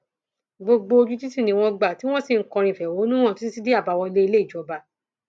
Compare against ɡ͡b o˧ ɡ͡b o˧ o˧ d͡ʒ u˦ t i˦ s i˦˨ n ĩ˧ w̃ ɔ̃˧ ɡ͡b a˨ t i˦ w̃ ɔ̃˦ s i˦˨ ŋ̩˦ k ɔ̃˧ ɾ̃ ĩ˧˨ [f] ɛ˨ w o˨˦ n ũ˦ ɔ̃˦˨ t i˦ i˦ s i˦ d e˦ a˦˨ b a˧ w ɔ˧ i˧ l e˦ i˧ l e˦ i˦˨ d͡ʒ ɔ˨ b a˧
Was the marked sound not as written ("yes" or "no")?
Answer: no